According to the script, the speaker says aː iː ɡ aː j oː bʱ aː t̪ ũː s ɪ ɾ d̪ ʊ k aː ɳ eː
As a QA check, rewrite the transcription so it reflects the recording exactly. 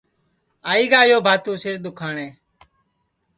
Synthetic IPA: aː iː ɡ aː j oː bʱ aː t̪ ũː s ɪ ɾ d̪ ʊ kʰ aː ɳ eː